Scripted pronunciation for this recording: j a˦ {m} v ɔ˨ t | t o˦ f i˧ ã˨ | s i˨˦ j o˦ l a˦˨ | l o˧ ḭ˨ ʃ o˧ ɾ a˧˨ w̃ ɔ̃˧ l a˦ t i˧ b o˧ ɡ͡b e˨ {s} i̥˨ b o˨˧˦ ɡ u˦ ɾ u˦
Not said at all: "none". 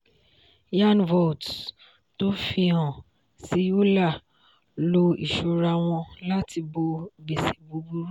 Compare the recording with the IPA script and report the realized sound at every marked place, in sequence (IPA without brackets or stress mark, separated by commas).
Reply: n, s